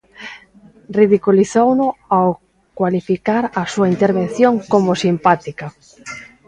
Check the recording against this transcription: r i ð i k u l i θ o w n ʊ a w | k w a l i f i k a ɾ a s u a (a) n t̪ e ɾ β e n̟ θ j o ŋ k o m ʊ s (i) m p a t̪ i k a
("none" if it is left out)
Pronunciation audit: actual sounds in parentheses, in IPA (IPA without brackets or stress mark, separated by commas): i, i